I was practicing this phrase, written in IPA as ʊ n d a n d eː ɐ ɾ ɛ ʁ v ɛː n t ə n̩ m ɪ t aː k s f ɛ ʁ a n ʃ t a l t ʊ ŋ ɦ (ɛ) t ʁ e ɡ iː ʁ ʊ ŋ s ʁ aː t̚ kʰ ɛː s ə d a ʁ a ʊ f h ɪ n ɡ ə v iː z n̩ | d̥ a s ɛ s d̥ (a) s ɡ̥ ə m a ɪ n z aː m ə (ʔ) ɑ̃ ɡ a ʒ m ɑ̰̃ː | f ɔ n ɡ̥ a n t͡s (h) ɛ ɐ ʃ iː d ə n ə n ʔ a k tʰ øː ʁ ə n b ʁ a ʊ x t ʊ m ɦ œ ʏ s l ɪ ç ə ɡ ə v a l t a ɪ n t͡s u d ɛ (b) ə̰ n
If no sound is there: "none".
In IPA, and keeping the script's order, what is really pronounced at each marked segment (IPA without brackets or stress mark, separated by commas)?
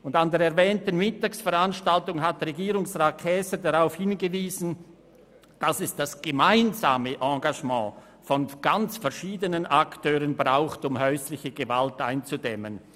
a, a, ʔ, f, m